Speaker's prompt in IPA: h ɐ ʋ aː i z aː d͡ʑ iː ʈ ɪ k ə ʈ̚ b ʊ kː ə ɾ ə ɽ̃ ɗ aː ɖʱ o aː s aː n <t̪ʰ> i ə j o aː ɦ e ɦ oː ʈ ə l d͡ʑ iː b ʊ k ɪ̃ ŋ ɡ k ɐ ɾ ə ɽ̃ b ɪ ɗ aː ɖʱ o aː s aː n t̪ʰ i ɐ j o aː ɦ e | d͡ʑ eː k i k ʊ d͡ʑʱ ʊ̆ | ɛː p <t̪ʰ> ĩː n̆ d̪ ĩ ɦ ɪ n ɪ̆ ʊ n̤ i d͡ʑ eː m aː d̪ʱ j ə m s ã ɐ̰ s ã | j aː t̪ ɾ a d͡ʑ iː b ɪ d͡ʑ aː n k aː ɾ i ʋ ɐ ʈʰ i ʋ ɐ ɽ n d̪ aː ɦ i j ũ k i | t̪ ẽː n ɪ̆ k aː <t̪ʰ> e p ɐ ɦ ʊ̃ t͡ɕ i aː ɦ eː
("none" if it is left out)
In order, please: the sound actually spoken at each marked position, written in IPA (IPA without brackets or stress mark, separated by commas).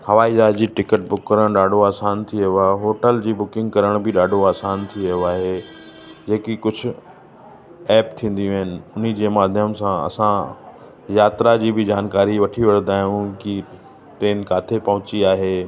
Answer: t̪ʰ, t̪ʰ, t̪ʰ